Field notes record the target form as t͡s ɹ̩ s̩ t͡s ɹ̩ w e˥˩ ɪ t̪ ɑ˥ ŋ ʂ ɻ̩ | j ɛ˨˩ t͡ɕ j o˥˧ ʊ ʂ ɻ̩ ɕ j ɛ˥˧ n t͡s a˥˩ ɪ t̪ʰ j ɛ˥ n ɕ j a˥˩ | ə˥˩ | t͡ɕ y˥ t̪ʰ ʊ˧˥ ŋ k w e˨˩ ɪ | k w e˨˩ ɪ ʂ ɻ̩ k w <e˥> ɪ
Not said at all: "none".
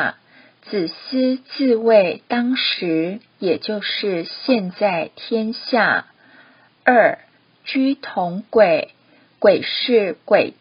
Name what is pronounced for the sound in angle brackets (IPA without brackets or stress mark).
e˨˩